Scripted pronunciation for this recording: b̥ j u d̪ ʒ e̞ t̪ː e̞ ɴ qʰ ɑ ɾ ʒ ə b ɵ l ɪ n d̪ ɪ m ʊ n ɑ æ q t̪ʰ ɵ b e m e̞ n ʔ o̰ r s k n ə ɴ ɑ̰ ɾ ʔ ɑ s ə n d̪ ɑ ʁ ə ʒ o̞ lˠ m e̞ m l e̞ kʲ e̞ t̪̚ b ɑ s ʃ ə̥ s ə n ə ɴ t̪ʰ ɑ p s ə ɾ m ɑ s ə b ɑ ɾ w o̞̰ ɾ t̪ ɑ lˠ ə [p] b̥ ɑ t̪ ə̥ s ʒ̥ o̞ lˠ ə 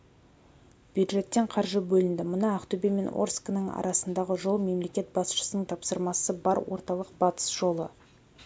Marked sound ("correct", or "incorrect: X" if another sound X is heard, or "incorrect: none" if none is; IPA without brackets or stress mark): incorrect: q